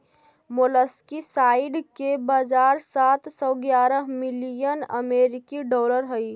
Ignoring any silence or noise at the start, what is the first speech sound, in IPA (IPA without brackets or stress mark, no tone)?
m